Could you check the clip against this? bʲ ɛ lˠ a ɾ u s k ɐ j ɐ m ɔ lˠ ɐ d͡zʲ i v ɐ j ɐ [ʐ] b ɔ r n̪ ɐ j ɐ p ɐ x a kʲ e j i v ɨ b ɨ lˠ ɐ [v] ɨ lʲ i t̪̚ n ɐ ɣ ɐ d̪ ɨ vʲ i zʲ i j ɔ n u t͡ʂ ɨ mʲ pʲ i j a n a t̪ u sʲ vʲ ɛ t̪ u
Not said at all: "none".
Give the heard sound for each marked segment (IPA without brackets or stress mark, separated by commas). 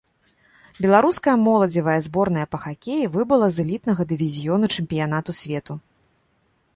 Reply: z, z